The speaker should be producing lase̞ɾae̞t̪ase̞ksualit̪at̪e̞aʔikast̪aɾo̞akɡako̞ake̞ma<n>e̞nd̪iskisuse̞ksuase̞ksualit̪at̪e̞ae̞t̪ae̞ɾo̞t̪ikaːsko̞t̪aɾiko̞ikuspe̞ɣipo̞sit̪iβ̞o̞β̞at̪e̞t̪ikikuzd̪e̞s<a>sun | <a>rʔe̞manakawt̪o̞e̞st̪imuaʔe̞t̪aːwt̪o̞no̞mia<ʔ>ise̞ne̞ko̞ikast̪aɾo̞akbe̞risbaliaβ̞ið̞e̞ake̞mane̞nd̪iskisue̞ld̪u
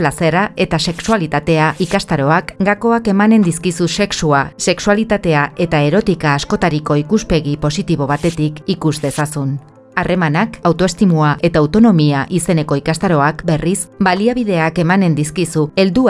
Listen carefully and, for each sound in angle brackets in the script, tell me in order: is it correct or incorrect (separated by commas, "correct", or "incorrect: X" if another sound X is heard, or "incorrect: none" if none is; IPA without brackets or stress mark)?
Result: correct, correct, correct, correct